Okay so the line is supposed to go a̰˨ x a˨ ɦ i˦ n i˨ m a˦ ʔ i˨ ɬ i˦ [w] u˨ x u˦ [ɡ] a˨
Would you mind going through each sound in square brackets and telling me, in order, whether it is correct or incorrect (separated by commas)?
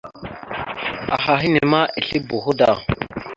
incorrect, incorrect